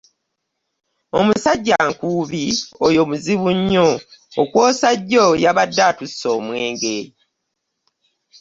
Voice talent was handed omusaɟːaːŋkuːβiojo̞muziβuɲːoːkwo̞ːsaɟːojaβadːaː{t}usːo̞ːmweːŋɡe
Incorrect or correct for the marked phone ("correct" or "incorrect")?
correct